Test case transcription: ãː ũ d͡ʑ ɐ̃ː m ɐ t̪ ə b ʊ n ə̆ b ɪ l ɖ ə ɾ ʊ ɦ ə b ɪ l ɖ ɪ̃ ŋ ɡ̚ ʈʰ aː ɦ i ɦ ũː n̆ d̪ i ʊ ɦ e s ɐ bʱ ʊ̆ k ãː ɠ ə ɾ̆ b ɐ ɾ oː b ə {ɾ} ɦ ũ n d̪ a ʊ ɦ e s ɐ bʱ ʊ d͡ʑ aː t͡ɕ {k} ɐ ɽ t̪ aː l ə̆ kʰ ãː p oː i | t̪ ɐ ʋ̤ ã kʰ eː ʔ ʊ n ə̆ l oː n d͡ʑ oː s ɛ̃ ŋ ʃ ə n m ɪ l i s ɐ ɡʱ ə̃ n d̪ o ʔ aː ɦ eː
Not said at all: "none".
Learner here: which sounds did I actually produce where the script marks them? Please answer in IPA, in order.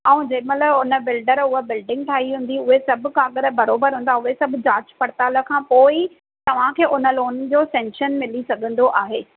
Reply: ɾ, p

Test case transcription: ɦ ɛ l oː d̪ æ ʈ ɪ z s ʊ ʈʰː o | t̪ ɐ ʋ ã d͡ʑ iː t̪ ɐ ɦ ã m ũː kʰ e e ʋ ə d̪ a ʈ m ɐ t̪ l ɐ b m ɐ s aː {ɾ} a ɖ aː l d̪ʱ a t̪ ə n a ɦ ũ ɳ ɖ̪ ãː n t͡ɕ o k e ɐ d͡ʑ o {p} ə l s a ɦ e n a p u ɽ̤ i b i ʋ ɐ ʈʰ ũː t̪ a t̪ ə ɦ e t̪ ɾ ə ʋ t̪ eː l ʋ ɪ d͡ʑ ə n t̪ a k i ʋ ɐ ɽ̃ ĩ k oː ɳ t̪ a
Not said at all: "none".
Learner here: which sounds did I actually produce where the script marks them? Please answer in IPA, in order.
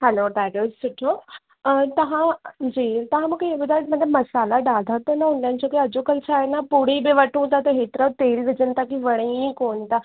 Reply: l, k

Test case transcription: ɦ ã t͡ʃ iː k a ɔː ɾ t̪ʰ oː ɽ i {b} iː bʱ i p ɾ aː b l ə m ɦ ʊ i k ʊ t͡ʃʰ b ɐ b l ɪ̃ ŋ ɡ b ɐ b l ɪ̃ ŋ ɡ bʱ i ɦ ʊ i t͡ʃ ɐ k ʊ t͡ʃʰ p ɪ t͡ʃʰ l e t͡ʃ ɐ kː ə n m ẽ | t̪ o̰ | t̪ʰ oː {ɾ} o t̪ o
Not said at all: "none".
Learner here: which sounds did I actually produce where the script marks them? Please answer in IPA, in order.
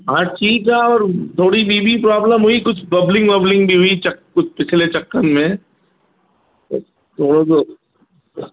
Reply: b, ɽ

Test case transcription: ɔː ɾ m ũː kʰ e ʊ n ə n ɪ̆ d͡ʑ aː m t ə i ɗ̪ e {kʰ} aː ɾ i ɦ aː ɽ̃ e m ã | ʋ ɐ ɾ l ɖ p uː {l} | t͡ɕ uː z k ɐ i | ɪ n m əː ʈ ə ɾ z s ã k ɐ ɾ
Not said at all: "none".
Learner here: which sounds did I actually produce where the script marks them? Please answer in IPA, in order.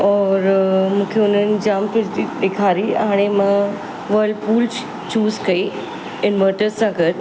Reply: kʰ, l

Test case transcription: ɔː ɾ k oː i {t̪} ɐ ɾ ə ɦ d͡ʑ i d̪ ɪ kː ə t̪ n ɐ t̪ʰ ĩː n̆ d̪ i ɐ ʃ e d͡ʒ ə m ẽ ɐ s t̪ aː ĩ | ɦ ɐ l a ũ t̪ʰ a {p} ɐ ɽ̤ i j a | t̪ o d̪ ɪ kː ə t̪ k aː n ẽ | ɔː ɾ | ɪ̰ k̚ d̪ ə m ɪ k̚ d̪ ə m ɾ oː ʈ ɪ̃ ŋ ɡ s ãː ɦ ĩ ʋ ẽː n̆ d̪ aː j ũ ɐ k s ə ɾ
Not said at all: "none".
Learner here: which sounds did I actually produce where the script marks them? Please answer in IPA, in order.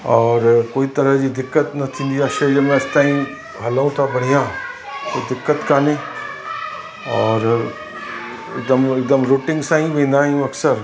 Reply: t̪, b

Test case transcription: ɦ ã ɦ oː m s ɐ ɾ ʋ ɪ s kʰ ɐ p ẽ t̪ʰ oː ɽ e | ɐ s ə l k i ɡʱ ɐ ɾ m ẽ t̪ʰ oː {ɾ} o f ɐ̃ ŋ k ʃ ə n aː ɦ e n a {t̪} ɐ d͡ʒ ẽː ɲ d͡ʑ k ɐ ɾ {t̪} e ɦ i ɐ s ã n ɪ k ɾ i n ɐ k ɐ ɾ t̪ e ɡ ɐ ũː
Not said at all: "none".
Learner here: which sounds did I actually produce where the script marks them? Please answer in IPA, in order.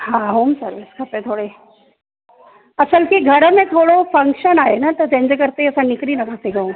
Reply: ɽ, t̪, t̪

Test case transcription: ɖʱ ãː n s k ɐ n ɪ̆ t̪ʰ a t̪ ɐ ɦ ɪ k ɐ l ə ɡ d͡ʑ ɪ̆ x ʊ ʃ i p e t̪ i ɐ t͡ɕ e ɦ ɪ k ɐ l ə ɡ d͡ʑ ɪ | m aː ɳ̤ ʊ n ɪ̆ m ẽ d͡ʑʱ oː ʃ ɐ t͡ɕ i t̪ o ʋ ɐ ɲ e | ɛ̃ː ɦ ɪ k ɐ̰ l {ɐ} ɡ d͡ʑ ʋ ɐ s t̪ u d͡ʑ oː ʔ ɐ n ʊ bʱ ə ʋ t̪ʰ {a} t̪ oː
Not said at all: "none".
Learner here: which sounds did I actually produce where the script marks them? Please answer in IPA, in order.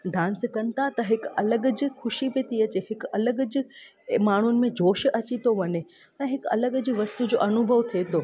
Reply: ə, e

